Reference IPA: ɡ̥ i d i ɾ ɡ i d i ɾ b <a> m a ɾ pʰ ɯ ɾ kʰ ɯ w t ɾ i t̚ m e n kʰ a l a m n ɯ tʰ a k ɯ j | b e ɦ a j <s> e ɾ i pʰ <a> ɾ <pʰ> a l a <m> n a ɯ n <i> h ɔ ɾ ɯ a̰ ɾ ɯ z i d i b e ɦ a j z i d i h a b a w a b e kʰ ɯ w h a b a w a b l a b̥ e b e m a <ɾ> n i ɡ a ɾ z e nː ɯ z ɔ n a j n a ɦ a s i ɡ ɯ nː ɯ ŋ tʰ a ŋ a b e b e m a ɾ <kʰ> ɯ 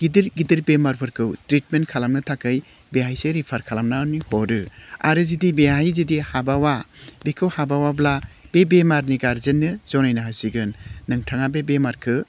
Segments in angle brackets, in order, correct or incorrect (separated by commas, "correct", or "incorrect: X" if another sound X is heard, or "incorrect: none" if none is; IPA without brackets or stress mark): incorrect: e, correct, correct, incorrect: kʰ, correct, correct, correct, correct